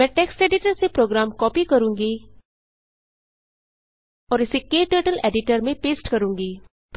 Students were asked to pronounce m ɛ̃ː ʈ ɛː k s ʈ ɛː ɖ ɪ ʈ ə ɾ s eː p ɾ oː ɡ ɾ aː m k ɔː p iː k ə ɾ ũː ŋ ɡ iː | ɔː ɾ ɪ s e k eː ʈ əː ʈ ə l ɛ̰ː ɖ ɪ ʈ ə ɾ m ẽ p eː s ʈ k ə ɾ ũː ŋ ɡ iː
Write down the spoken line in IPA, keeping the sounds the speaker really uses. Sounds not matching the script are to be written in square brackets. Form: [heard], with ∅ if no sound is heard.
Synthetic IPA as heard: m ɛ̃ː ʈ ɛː k s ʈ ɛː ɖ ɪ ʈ ə ɾ s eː p ɾ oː ɡ ɾ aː m k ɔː p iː k ə ɾ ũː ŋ ɡ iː | ɔː ɾ ɪ s e k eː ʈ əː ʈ ə l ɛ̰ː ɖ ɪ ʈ ə ɾ m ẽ p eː s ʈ k ə ɾ ũː ŋ ɡ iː

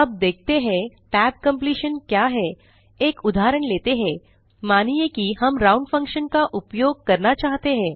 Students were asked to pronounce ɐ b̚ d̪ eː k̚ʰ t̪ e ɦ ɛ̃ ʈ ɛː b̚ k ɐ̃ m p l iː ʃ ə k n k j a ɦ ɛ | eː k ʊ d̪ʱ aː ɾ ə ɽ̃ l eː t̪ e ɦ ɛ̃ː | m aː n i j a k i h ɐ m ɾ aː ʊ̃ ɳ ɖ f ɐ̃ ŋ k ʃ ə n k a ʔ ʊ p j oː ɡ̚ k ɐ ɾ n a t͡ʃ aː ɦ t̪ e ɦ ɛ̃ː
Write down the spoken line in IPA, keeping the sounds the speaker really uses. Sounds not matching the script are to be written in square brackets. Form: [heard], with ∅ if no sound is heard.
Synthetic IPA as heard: ɐ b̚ d̪ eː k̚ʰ t̪ e ɦ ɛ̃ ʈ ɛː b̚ k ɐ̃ m p l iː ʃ ə [∅] n k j a ɦ ɛ | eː k ʊ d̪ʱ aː ɾ ə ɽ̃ l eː t̪ e ɦ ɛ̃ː | m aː n i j [e] k i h ɐ m ɾ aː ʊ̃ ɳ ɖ f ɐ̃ ŋ k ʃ ə n k a ʔ ʊ p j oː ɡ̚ k ɐ ɾ n a t͡ʃ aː ɦ t̪ e ɦ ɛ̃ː

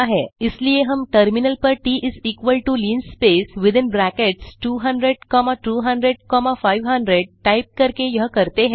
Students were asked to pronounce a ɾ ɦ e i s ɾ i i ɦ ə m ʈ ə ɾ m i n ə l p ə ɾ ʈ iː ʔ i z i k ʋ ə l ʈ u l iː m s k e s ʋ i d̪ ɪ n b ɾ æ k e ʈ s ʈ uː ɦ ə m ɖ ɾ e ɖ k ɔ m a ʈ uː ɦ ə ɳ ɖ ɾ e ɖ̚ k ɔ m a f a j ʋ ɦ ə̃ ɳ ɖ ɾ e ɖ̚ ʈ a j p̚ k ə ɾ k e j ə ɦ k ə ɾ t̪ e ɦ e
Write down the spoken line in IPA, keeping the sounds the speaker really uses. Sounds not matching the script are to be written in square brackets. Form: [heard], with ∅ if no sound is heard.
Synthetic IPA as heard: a [∅] ɦ e i s [l] i [e] ɦ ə m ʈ ə ɾ m i n ə l p ə ɾ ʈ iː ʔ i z i k ʋ ə l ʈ u l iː [n] s [p] e s ʋ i d̪ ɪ n b ɾ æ k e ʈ s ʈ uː ɦ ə [ɳ] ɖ ɾ e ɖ k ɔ m a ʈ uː ɦ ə ɳ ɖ ɾ e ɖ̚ k ɔ m a f a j ʋ ɦ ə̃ ɳ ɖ ɾ e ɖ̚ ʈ a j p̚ k ə ɾ k e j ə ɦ k ə ɾ t̪ e ɦ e

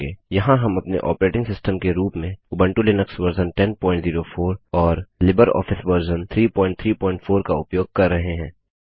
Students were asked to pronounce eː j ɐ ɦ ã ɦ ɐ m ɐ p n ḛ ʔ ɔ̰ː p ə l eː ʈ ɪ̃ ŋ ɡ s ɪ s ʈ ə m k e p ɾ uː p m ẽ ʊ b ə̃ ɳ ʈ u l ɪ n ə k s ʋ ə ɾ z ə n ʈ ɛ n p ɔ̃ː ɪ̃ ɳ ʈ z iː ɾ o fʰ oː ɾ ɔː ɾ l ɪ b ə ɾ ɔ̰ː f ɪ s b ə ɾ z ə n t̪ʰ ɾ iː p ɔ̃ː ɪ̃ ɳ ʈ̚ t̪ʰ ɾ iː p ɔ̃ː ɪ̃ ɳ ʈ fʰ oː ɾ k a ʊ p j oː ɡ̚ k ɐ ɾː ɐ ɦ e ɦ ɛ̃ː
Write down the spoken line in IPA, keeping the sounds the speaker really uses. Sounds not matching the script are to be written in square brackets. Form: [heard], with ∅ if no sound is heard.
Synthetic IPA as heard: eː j ɐ ɦ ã ɦ ɐ m ɐ p n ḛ ʔ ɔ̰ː p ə [ɾ] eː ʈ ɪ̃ ŋ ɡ s ɪ s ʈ ə m k e [∅] ɾ uː p m ẽ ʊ b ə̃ ɳ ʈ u l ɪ n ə k s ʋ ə ɾ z ə n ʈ ɛ n p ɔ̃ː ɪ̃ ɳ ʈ z iː ɾ o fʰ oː ɾ ɔː ɾ l ɪ b ə ɾ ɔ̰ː f ɪ s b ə ɾ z ə n t̪ʰ ɾ iː p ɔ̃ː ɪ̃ ɳ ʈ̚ t̪ʰ ɾ iː p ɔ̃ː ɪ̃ ɳ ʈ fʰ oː ɾ k a ʊ p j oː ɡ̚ k ɐ ɾː ɐ ɦ e ɦ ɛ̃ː

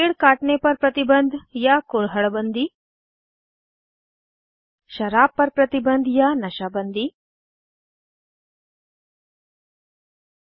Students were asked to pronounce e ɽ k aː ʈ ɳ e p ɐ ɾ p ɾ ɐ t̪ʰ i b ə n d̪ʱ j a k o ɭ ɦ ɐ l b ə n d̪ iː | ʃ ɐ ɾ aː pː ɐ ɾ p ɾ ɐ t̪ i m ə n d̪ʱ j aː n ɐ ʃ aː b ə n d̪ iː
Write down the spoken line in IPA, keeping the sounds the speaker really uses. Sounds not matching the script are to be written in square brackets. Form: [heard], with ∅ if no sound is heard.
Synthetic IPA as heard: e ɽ k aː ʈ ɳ e p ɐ ɾ p ɾ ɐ [t̪] i b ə n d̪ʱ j a k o ɭ ɦ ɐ [ɭ] b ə n d̪ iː | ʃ ɐ ɾ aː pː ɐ ɾ p ɾ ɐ t̪ i [b] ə n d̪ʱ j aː n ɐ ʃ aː b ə n d̪ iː

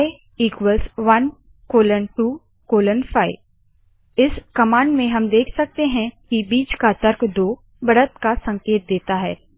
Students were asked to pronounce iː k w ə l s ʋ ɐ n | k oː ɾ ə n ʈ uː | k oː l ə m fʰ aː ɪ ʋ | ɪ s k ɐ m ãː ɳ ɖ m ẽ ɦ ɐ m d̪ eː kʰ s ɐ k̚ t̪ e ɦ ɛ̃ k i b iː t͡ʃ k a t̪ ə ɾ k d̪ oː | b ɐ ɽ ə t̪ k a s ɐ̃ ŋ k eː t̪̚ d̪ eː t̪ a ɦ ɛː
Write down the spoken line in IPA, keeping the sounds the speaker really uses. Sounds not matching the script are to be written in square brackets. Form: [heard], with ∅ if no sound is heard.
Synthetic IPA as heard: iː k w ə l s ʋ ɐ n | k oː [l] ə n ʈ uː | k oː l ə [n] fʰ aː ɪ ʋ | ɪ s k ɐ m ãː ɳ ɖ m ẽ ɦ ɐ m d̪ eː kʰ s ɐ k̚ t̪ e ɦ ɛ̃ k i b iː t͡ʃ k a t̪ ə ɾ k d̪ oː | b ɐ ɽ ə t̪ k a s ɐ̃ ŋ k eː t̪̚ d̪ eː t̪ a ɦ ɛː

